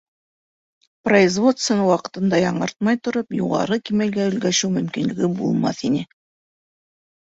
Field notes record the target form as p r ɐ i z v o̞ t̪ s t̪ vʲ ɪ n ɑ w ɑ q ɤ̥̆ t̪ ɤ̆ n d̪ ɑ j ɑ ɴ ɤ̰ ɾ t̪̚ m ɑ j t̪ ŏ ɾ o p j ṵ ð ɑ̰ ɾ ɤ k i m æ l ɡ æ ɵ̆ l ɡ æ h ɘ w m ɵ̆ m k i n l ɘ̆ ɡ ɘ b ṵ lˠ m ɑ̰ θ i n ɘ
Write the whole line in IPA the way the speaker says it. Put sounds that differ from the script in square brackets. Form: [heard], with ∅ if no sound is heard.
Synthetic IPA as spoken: p r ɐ i z v o̞ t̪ s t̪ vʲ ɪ n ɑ w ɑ q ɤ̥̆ t̪ ɤ̆ n d̪ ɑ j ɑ ɴ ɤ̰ ɾ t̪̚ m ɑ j t̪ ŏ ɾ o p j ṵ [ʁ] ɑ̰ ɾ ɤ k i m æ l ɡ æ ɵ̆ l ɡ æ [ʃ] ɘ w m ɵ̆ m k i n l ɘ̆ ɡ ɘ b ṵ lˠ m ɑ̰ θ i n ɘ